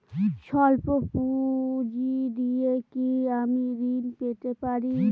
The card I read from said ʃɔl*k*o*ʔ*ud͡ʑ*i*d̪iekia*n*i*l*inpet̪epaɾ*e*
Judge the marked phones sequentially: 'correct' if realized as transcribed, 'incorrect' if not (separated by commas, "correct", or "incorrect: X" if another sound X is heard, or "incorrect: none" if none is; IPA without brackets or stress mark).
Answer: incorrect: p, incorrect: p, correct, incorrect: m, incorrect: ɾ, incorrect: i